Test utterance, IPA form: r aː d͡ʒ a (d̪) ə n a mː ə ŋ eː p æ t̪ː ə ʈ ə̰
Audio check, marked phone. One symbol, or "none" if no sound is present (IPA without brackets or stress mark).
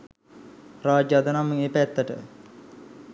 d̪